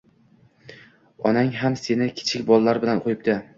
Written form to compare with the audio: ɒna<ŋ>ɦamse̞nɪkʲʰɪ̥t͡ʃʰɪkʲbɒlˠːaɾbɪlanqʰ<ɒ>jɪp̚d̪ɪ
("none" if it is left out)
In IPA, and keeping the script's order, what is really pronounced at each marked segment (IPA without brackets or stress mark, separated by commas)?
ŋ, o